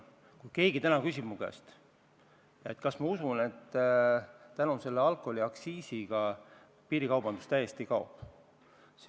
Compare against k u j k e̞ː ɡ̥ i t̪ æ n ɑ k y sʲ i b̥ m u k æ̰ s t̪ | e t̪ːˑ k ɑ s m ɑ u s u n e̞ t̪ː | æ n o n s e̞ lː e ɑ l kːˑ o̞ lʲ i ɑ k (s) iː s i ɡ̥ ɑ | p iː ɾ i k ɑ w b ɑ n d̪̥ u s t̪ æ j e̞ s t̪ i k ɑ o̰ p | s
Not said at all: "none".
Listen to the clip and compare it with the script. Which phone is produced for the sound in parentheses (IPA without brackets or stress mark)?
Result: s